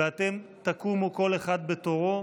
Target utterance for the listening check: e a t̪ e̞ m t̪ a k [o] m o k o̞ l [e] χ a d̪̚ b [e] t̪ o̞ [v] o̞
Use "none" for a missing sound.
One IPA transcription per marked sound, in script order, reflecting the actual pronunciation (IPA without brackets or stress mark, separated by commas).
u, e, e, ʁ